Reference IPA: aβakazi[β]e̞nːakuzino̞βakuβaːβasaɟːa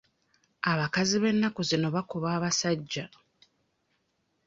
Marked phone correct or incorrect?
correct